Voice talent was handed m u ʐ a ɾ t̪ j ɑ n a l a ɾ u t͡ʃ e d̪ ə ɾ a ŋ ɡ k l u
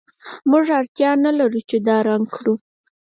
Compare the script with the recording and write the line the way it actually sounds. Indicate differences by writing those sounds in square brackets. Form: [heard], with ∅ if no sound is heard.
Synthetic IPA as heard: m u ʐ a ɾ t̪ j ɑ n a l a ɾ u t͡ʃ e d̪ [ɑ] ɾ a ŋ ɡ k [ɽ] u